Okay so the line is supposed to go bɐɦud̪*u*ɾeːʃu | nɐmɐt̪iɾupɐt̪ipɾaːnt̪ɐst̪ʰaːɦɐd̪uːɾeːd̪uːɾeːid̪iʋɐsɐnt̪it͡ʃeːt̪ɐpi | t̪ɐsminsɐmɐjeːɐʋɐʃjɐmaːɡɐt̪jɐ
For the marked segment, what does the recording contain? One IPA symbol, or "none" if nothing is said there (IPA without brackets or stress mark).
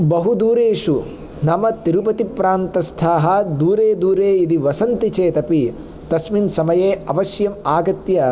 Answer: uː